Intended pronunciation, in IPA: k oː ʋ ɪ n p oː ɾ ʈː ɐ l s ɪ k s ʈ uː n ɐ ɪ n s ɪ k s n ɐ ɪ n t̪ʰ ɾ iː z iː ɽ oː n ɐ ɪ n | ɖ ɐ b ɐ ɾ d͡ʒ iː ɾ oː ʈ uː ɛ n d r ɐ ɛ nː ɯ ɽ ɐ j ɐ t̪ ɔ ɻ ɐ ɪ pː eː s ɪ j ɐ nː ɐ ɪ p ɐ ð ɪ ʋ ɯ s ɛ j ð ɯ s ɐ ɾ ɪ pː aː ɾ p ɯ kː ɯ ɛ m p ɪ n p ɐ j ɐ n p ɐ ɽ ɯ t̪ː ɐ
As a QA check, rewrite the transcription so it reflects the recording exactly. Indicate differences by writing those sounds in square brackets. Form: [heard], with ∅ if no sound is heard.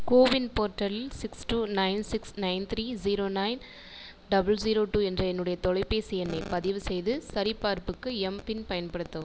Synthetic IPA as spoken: k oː ʋ ɪ n p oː ɾ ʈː ɐ l s ɪ k s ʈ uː n ɐ ɪ n s ɪ k s n ɐ ɪ n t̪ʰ ɾ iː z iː [ɾ] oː n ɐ ɪ n | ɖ ɐ b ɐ [l] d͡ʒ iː ɾ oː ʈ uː ɛ n d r ɐ ɛ nː ɯ ɽ ɐ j ɐ t̪ ɔ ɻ ɐ ɪ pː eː s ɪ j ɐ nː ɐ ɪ p ɐ ð ɪ ʋ ɯ s ɛ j ð ɯ s ɐ ɾ ɪ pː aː ɾ p ɯ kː ɯ ɛ m p ɪ n p ɐ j ɐ n p ɐ ɽ ɯ t̪ː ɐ